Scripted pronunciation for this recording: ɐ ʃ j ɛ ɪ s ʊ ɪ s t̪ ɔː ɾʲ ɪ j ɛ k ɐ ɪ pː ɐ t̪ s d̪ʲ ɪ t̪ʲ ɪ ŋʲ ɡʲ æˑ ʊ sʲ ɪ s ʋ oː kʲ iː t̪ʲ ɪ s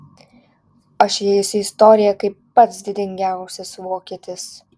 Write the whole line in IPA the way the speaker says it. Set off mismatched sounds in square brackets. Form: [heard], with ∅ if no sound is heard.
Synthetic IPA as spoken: ɐ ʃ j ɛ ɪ s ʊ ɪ s t̪ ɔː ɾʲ ɪ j ɛ k ɐ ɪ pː ɐ t̪ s d̪ʲ ɪ [d̪ʲ] ɪ ŋʲ ɡʲ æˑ ʊ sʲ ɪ s ʋ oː kʲ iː t̪ʲ ɪ s